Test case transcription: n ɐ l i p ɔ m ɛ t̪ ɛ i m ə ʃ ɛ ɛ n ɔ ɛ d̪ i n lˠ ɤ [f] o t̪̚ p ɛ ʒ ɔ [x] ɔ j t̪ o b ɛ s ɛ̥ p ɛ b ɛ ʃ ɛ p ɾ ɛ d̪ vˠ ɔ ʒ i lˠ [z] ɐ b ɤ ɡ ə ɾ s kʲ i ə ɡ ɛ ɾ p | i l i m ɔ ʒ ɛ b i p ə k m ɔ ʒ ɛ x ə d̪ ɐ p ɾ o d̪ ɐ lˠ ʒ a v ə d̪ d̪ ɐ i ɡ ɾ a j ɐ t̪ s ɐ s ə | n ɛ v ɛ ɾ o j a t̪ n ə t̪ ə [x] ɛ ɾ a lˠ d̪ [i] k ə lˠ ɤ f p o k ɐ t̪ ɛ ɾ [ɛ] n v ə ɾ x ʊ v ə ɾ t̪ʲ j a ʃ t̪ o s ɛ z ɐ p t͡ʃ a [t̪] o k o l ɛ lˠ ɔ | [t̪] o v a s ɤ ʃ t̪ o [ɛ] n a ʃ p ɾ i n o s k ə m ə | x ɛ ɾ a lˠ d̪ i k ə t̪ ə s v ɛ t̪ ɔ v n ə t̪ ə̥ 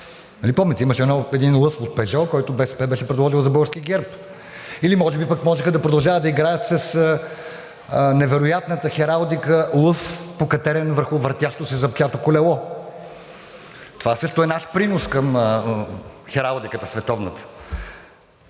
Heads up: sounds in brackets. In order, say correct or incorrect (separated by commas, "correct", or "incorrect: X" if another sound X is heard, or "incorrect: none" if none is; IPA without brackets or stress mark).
correct, incorrect: k, correct, correct, correct, correct, correct, correct, correct